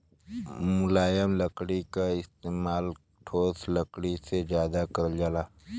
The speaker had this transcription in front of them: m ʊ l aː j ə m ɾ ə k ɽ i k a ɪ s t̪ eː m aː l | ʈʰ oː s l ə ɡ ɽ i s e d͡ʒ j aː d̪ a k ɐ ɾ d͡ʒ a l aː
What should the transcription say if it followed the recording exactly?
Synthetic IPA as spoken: m ʊ l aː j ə m l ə k ɽ i k a ɪ s t̪ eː m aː l | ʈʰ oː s l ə k ɽ i s e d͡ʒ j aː d̪ a k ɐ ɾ d͡ʒ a l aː